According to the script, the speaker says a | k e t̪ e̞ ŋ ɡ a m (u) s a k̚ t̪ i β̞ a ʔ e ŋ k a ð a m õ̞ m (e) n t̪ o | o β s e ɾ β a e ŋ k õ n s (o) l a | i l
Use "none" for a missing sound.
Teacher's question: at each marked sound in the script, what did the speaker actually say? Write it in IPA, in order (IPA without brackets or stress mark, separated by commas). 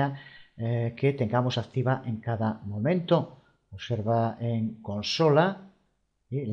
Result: o, ẽ, o